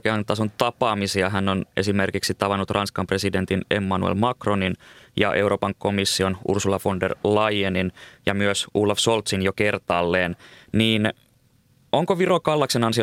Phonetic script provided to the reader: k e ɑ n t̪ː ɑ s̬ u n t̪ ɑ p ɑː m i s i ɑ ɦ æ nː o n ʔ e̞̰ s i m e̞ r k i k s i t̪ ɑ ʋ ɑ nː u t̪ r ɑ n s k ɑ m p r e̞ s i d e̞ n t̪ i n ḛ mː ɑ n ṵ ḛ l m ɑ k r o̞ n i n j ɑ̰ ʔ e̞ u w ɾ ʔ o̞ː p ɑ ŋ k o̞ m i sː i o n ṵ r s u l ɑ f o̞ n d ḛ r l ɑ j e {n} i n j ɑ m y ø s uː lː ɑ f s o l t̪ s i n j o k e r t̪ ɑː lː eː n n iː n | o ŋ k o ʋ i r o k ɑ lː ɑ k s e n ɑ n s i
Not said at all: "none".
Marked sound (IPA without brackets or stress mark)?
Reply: n